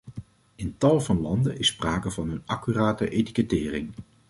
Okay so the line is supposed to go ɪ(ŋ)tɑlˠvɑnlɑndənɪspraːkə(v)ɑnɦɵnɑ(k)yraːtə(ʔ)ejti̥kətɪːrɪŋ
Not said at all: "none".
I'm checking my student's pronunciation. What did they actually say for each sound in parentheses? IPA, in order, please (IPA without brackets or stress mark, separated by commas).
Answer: n, v, k, ʔ